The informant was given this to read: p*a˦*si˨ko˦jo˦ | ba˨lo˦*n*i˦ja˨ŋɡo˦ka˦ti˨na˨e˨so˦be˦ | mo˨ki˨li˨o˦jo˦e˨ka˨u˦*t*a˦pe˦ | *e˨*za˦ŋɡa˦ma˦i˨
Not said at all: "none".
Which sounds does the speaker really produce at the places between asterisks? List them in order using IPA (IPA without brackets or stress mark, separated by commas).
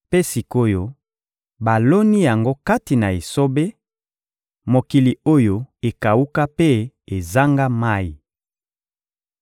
e˦, n, k, e˨